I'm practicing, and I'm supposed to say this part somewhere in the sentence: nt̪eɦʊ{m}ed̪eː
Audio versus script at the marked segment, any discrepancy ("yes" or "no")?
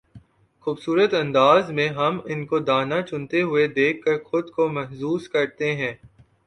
yes